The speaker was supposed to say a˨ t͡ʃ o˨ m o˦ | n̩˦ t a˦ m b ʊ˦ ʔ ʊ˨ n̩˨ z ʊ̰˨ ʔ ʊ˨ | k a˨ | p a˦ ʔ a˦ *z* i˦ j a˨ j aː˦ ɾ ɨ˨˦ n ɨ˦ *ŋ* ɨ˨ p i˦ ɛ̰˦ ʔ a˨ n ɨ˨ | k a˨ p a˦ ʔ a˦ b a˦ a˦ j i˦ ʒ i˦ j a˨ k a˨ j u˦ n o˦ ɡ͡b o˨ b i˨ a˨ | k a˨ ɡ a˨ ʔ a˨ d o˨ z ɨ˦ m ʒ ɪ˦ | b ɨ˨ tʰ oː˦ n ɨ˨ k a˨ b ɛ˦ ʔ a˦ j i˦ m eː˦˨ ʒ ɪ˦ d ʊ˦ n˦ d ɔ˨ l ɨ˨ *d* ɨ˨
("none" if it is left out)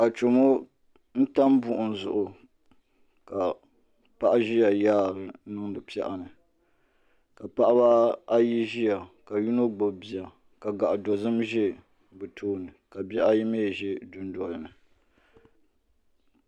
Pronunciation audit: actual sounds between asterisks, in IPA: ʒ, ŋ, n

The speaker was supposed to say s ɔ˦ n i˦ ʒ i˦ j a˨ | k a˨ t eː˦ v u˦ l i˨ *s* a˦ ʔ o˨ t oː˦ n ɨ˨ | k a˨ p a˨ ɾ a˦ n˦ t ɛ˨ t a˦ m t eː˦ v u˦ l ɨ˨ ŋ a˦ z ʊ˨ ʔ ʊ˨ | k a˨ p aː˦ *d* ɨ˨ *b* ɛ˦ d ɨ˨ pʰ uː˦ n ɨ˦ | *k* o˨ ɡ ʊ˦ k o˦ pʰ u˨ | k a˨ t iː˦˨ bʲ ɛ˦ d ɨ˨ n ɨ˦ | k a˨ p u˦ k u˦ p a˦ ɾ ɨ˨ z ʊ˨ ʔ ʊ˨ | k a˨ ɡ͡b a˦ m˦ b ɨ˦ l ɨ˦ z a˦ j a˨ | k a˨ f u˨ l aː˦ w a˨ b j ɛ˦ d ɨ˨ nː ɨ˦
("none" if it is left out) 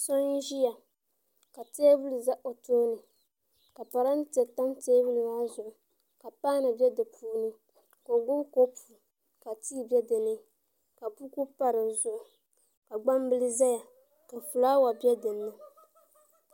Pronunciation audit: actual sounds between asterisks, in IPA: z, n, b, k

